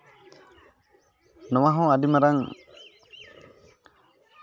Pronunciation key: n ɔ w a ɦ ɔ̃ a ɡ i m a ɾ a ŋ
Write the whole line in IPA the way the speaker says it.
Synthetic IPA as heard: n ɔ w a ɦ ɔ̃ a d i m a ɾ a ŋ